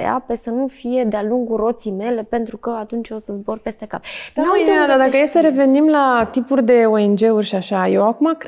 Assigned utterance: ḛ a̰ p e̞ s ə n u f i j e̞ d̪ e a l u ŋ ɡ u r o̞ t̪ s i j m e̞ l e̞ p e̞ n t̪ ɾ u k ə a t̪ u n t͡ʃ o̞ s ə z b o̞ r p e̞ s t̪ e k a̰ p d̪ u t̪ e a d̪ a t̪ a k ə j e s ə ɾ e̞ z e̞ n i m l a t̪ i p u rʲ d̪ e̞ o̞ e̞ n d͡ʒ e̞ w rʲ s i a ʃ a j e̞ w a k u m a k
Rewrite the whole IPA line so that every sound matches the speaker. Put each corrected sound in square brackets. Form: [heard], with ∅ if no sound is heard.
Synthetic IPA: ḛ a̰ p e̞ s ə n u f i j e̞ d̪ e a l u ŋ ɡ u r o̞ t̪ s i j m e̞ l e̞ p e̞ n t̪ ɾ u k ə a t̪ u n t͡ʃ o̞ s ə z b o̞ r p e̞ s t̪ e k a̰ p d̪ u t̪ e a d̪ a [d̪] a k ə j e s ə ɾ e̞ [v] e̞ n i m l a t̪ i p u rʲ d̪ e̞ o̞ e̞ n d͡ʒ e̞ [u] rʲ [ʃ] i a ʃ a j e̞ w a k u m a k